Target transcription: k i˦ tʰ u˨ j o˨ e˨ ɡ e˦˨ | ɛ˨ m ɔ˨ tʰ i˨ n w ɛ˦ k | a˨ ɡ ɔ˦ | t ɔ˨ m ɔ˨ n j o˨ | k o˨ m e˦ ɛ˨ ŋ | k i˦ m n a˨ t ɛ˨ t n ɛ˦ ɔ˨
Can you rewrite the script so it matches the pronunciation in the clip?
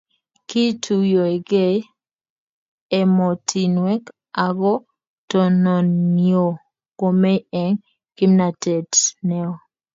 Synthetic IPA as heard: k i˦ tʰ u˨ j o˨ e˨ ɡ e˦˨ | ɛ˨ m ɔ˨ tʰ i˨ n w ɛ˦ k | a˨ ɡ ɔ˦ | t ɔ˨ n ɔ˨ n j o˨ | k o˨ m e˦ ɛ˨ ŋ | k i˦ m n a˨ t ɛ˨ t n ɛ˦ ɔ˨